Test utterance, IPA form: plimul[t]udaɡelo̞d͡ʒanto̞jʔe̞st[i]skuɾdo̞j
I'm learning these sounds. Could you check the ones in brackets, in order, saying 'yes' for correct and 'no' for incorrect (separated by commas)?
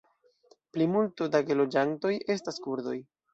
yes, no